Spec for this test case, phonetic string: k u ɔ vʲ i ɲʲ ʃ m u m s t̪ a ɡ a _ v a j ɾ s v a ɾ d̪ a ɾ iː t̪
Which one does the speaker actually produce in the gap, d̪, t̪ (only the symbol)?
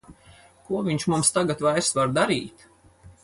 t̪